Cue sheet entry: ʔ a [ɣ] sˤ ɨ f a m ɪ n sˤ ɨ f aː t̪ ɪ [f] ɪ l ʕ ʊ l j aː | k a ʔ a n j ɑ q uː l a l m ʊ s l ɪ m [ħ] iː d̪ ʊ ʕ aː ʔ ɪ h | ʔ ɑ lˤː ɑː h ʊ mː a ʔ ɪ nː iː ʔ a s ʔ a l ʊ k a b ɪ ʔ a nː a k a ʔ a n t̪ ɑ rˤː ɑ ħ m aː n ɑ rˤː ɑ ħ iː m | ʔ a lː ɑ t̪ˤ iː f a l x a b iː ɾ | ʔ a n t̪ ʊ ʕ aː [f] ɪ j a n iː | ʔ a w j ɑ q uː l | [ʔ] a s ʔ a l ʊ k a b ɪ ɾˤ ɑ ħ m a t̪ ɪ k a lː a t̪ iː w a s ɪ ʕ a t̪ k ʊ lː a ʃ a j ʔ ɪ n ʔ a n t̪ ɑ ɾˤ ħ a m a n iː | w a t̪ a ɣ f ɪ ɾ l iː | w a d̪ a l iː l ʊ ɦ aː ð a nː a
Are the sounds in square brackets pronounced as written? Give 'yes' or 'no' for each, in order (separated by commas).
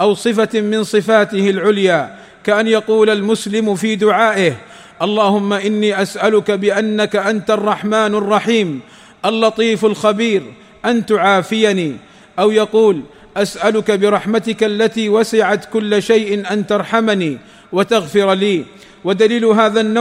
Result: no, no, no, yes, yes